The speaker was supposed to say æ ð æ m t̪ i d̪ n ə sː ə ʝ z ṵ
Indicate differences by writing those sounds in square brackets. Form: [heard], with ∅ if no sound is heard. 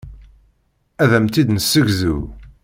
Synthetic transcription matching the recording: æ ð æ m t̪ i d̪ n ə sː ə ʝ z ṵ